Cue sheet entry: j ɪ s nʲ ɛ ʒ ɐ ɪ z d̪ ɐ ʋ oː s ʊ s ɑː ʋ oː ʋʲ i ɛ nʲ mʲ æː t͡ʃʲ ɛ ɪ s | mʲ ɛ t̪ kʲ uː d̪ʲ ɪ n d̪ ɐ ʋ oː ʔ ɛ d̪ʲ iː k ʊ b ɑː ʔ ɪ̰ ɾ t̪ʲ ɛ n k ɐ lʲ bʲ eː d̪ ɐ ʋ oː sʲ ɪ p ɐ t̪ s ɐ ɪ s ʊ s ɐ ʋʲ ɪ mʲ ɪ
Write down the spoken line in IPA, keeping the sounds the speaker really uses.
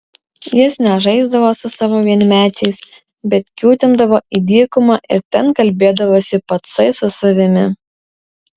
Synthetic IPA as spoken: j ɪ s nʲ ɛ ʒ ɐ ɪ z d̪ ɐ ʋ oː s ʊ s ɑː ʋ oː ʋʲ i ɛ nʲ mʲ æː t͡ʃʲ ɛ ɪ s | bʲ ɛ t̪ kʲ uː t̪ʲ ɪ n d̪ ɐ ʋ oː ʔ i d̪ʲ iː k ʊ m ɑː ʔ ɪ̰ ɾ t̪ʲ ɛ n k ɐ lʲ bʲ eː d̪ ɐ ʋ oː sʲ ɪ p ɐ t̪ s ɐ ɪ s ʊ s ɐ ʋʲ ɪ mʲ ɪ